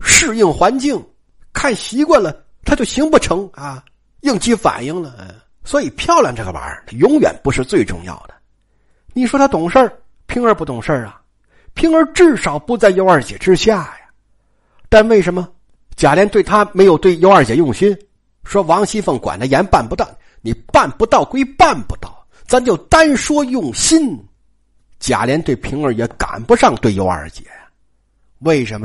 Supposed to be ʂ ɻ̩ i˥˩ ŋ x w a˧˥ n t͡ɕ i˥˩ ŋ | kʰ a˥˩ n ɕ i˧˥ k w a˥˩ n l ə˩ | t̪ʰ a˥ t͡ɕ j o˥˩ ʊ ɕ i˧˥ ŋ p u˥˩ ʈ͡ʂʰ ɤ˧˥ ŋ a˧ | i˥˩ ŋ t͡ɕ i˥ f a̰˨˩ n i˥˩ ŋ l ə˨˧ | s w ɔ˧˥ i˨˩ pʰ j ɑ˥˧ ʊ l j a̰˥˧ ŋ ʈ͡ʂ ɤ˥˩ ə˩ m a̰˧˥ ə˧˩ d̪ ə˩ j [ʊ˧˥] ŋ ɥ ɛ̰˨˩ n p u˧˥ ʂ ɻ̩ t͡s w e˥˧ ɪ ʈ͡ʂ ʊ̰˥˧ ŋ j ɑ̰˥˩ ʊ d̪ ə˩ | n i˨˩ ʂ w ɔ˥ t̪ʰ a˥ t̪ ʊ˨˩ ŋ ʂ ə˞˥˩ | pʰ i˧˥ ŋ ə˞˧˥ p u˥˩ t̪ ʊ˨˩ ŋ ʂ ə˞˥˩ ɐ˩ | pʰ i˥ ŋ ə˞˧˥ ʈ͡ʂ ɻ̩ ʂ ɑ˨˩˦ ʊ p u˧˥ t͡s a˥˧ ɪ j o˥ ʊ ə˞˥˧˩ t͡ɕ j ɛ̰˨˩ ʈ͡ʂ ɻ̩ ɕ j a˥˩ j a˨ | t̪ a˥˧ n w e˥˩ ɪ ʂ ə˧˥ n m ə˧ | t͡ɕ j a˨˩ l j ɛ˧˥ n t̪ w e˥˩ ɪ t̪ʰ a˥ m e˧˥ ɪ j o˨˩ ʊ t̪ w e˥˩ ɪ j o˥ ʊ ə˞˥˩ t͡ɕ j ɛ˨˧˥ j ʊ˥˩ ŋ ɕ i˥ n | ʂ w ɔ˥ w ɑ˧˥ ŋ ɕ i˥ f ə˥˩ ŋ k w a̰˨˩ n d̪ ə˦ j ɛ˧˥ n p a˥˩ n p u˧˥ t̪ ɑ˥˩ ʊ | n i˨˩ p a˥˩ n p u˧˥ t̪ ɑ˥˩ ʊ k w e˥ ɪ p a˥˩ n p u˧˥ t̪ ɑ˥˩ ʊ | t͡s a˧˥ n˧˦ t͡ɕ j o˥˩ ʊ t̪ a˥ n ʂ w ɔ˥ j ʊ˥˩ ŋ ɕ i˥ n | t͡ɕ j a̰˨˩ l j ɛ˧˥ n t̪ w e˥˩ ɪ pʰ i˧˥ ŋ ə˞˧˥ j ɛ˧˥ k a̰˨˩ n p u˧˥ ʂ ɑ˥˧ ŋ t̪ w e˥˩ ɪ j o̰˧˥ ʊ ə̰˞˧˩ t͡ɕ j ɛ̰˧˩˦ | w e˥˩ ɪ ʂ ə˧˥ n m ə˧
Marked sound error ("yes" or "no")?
no